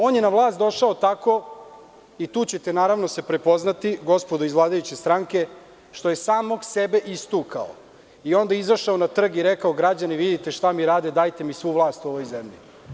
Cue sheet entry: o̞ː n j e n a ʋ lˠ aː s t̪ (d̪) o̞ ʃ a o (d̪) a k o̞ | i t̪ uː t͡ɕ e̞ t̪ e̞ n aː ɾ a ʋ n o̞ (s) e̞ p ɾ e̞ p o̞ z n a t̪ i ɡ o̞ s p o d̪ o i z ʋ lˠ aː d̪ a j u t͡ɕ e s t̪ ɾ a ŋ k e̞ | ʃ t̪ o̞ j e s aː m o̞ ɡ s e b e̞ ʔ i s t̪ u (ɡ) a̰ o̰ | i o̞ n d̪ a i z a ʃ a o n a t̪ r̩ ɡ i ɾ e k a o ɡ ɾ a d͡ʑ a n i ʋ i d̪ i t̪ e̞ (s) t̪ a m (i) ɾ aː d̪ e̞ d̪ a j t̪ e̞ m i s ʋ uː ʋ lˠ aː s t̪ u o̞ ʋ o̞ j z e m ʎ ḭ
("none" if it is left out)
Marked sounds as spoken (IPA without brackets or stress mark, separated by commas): d̪, t̪, s, k, ʃ, i